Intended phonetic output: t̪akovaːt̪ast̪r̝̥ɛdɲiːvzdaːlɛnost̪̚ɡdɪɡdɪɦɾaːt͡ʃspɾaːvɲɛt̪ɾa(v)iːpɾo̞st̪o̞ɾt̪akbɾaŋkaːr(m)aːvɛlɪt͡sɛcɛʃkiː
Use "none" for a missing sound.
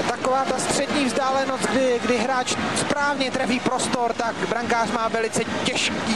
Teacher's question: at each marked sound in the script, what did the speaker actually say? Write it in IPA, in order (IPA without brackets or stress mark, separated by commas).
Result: v, m